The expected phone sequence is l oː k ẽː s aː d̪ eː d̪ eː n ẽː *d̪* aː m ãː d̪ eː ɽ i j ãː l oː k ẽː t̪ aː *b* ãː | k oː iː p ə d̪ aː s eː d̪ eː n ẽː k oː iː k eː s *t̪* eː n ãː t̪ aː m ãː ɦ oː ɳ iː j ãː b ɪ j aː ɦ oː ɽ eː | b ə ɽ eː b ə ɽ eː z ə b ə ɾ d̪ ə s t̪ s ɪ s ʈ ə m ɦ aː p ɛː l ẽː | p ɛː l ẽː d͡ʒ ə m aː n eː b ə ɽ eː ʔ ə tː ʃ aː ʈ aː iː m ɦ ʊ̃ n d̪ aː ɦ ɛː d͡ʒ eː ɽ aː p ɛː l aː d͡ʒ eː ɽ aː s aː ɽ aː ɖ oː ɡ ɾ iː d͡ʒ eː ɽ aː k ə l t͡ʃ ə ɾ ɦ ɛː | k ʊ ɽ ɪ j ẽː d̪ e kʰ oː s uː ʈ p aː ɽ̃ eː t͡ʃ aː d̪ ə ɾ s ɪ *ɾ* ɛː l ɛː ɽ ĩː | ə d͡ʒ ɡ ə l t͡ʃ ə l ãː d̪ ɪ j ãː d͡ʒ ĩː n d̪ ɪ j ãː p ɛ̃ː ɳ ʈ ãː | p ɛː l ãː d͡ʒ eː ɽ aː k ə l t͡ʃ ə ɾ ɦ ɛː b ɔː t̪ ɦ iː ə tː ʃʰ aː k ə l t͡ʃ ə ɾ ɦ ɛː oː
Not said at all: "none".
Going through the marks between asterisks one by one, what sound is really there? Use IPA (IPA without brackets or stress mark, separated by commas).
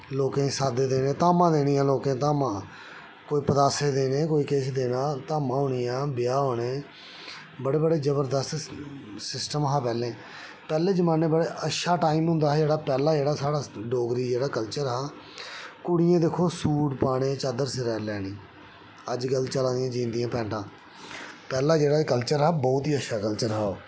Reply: t̪, m, d̪, ɾ